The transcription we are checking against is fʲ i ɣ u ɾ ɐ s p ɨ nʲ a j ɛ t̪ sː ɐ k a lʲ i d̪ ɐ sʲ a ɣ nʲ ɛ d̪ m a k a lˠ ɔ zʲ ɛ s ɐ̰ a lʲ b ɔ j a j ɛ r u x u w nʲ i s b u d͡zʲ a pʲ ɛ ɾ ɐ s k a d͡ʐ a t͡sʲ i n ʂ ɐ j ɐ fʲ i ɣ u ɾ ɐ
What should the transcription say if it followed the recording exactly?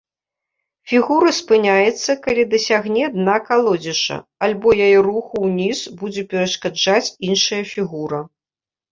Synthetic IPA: fʲ i ɣ u ɾ ɐ s p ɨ nʲ a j ɛ t̪ sː ɐ k a lʲ i d̪ ɐ sʲ a ɣ nʲ ɛ d̪ n a k a lˠ ɔ d͡zʲ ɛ ʂ ɐ̰ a lʲ b ɔ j a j ɛ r u x u w nʲ i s b u d͡zʲ ɛ pʲ ɛ ɾ ɐ ʂ k a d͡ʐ a t͡sʲ i n ʂ ɐ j ɐ fʲ i ɣ u ɾ ɐ